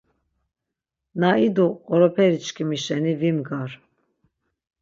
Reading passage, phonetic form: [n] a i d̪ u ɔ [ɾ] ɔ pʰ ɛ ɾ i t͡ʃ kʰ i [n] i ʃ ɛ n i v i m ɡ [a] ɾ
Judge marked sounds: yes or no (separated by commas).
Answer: yes, yes, no, yes